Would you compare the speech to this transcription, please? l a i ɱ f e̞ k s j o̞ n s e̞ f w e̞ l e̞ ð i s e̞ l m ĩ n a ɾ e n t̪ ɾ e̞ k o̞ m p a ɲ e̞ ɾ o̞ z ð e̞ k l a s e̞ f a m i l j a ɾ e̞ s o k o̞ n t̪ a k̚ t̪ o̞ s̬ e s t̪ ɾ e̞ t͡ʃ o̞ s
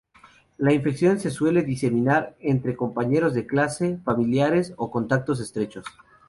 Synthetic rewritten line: l a i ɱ f e̞ k s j o̞ n s e̞ s w e̞ l e̞ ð i s e̞ m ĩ n a ɾ e n t̪ ɾ e̞ k o̞ m p a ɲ e̞ ɾ o̞ z ð e̞ k l a s e̞ f a m i l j a ɾ e̞ s o k o̞ n t̪ a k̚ t̪ o̞ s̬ e s t̪ ɾ e̞ t͡ʃ o̞ s